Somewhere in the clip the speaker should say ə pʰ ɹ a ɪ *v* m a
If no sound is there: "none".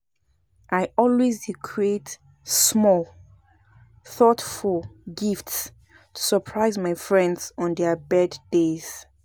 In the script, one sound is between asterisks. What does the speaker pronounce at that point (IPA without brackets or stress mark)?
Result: z